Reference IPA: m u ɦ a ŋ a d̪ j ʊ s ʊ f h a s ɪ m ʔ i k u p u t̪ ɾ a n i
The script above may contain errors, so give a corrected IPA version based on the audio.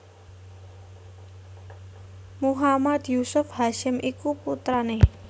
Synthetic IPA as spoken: m u ɦ a m a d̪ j u s ʊ f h a ʃ ɪ m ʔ i k u p u t̪ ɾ a n e